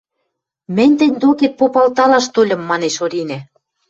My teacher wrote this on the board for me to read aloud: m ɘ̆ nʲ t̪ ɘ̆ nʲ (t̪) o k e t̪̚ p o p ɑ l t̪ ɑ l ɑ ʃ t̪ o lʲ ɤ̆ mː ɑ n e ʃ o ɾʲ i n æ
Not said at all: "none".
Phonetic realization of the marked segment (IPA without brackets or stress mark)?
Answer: d̪